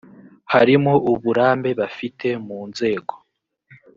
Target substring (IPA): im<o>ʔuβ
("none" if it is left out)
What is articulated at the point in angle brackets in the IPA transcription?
o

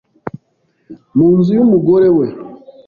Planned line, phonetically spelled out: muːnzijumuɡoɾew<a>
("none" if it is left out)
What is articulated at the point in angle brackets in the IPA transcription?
e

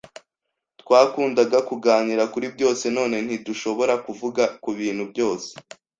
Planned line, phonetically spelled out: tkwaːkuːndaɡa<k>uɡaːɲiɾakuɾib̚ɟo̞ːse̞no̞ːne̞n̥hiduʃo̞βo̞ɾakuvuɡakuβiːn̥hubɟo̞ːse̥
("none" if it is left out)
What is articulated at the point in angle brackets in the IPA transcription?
k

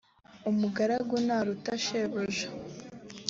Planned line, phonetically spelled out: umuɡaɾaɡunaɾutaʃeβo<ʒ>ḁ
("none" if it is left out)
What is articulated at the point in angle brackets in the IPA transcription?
ʒ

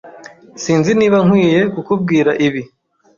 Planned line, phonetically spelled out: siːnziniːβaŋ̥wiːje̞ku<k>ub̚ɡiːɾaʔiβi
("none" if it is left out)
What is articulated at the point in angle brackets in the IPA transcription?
k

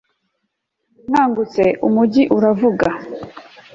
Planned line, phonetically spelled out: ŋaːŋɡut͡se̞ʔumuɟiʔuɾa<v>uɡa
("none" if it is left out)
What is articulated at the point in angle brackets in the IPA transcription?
v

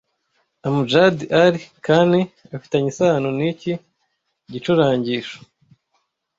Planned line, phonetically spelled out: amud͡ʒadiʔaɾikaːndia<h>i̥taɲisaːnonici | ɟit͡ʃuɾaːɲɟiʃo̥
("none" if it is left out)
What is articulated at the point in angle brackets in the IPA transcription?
f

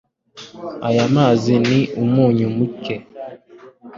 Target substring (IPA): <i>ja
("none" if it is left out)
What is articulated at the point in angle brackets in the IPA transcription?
a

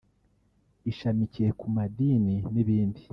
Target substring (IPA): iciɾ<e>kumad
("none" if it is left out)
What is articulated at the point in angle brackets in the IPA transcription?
e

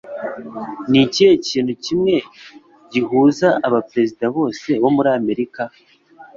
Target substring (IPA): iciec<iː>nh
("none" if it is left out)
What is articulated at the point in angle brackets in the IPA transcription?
iː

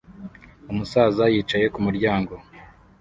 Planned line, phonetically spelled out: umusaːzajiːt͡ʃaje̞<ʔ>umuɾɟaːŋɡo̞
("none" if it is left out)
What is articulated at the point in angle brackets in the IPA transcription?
k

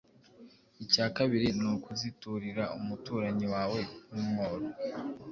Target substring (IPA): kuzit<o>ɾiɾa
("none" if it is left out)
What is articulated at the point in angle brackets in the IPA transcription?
u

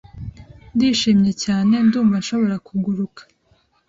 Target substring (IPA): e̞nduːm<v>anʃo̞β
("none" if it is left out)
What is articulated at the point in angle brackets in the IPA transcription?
v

